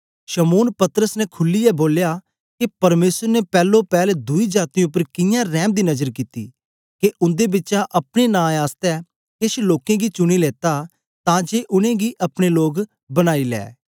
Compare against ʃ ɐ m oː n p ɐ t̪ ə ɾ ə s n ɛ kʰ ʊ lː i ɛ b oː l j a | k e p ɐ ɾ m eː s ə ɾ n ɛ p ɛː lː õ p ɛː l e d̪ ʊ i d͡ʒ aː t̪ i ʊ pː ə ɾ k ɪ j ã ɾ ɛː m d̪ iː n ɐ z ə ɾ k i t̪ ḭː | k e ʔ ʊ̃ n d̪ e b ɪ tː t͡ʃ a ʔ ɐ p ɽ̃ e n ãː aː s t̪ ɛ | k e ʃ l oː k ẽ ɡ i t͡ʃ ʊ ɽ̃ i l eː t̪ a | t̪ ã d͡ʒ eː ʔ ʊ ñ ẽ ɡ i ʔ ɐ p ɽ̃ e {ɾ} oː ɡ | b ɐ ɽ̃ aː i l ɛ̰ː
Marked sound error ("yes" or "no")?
yes